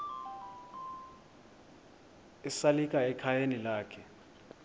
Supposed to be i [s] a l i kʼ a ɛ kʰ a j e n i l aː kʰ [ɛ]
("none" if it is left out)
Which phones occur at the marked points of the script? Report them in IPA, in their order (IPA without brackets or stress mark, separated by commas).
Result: s, ɛ